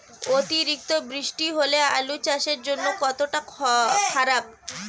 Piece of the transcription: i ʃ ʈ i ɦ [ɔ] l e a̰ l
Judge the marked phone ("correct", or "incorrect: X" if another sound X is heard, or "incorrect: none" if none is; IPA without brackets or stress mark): incorrect: o